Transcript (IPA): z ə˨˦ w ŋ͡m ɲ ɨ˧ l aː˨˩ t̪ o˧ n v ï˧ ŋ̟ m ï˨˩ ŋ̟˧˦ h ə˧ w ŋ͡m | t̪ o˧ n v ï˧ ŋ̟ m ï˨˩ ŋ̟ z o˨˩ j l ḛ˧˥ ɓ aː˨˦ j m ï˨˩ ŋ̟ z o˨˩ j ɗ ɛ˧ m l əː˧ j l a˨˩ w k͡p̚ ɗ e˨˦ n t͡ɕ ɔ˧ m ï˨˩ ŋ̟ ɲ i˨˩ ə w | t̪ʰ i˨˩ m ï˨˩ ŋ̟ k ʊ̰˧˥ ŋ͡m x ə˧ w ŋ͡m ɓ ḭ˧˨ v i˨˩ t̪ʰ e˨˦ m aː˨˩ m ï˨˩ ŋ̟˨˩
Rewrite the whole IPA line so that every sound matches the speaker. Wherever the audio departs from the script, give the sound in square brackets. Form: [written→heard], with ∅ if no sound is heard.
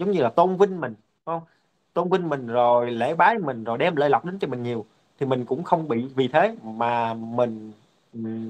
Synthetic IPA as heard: z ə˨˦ w ŋ͡m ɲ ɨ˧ l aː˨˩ t̪ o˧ n v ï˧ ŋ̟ m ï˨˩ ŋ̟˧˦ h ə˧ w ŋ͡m | t̪ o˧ n v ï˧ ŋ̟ m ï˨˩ ŋ̟ z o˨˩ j l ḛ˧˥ ɓ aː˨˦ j m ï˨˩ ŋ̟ z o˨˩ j ɗ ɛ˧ m l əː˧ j l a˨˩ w k͡p̚ ɗ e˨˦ n t͡ɕ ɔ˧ m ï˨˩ ŋ̟ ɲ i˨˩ ə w | t̪ʰ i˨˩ m ï˨˩ ŋ̟ k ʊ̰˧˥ ŋ͡m x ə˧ w ŋ͡m ɓ ḭ˧˨ v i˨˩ t̪ʰ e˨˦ m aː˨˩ m ï˨˩ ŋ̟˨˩